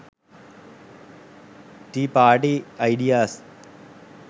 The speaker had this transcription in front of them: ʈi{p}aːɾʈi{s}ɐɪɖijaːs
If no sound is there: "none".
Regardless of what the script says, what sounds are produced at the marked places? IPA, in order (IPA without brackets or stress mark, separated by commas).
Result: p, none